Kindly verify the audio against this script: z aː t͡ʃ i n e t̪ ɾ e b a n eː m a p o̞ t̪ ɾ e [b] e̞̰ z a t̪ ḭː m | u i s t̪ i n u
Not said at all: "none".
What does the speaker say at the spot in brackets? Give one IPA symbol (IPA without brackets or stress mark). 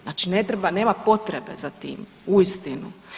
b